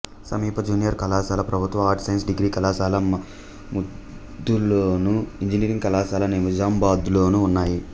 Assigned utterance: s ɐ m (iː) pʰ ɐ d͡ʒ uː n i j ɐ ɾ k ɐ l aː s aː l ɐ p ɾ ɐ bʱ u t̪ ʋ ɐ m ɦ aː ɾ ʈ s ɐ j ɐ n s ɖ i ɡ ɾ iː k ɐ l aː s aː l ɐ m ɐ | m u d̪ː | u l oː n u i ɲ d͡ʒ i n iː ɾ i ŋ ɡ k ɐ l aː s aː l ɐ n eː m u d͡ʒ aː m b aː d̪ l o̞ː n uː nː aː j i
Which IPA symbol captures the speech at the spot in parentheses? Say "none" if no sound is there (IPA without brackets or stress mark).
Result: iː